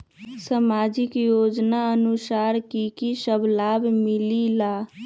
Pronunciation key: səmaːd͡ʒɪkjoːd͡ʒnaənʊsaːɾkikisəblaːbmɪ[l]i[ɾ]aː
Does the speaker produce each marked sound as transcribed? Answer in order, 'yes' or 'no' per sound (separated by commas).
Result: yes, no